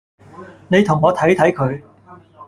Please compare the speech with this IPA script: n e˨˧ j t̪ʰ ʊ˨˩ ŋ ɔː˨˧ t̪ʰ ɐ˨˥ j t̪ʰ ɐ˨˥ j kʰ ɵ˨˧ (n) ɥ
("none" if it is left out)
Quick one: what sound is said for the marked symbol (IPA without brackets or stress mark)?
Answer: none